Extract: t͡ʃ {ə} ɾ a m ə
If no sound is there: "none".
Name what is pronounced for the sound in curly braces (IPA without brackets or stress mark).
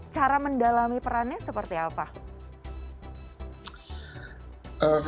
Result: a